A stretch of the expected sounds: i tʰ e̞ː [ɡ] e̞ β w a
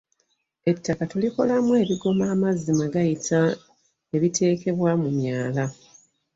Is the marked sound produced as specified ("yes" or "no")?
no